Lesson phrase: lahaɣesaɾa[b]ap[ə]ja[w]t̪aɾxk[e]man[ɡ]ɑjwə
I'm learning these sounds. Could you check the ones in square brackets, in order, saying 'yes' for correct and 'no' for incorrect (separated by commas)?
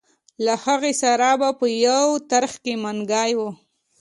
yes, yes, yes, yes, yes